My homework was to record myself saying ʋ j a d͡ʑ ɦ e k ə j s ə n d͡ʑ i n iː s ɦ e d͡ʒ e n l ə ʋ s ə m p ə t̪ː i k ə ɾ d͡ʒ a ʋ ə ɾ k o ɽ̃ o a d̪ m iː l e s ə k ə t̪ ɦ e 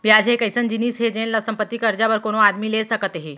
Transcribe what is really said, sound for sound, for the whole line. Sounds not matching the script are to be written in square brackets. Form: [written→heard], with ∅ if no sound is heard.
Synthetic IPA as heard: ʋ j a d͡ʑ ɦ e k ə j s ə n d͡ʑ i n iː s ɦ e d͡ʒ e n l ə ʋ s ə m p ə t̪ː i k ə ɾ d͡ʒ a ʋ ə ɾ k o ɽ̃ o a d̪ m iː l e s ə k ə t̪ ɦ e